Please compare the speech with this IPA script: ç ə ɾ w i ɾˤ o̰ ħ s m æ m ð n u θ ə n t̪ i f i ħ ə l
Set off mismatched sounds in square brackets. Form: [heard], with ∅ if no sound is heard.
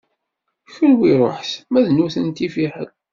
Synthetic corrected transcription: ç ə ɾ w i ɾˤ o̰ ħ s m æ [∅] ð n u θ ə n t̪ i f i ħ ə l

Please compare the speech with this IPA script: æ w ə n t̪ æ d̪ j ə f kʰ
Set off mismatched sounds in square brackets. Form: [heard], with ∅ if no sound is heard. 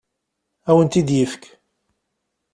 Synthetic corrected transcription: æ w ə n t̪ [i] d̪ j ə f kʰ

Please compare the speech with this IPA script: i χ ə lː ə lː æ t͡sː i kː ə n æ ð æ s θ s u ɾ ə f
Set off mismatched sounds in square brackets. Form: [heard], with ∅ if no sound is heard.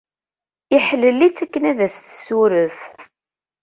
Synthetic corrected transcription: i [ħ] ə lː ə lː [i] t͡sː [æ] kː ə n æ ð æ s θ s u ɾ ə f

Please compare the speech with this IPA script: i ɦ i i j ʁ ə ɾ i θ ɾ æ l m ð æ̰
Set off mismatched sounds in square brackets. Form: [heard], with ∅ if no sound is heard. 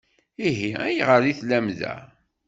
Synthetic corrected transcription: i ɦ i [æ] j ʁ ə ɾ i θ [l] æ [∅] m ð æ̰

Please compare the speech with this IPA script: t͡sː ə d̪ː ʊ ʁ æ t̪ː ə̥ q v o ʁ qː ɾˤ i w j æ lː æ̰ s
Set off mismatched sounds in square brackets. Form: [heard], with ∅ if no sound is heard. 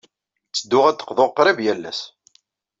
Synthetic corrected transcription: t͡sː ə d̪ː ʊ ʁ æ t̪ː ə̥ q [ð] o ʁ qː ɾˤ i [v] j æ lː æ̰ s

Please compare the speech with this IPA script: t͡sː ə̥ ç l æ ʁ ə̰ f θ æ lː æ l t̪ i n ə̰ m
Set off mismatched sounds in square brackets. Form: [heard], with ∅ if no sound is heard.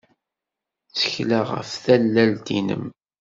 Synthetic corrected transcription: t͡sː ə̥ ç l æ ʁ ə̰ f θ æ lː æ l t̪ i n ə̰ m

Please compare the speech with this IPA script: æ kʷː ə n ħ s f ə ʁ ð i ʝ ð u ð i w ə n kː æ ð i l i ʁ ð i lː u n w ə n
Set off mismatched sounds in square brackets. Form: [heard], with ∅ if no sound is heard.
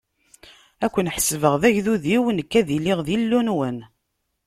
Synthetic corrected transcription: æ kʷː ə n ħ s [v] ə ʁ ð [æ] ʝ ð u ð i w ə n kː æ ð i l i ʁ ð i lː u n w ə n

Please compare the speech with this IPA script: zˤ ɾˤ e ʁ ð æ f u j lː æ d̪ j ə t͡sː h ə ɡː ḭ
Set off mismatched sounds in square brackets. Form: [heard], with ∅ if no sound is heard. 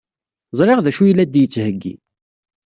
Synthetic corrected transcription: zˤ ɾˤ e ʁ ð æ [ʃ] u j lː æ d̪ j ə t͡sː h ə ɡː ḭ

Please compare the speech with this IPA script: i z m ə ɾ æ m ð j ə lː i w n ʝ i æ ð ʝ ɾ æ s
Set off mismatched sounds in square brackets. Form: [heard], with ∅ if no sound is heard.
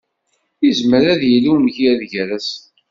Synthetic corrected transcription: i z m ə ɾ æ [∅] ð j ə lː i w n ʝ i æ ð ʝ ɾ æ s

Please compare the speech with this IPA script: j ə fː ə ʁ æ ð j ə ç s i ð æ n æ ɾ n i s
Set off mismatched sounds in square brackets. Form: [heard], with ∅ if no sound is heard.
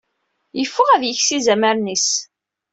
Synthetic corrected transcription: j ə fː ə ʁ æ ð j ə ç s i [z] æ [m] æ ɾ n i s

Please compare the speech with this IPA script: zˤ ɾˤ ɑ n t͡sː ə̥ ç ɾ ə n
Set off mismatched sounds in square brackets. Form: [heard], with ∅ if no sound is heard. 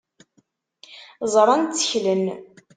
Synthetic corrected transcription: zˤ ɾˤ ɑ n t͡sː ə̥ ç [l] ə n

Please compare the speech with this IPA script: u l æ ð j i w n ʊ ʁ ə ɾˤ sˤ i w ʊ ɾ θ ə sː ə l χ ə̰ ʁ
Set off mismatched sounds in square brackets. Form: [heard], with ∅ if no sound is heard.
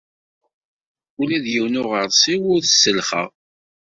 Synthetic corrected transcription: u l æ ð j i w n ʊ ʁ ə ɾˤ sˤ i w ʊ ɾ θ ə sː ə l χ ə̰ ʁ

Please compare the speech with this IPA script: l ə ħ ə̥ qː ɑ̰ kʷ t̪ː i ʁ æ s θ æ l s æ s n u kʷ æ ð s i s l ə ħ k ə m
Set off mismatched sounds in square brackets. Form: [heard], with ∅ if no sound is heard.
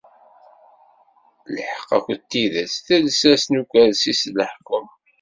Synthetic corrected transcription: l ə ħ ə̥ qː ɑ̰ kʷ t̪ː i [ð] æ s θ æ l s æ s n u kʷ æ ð s i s l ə ħ k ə m

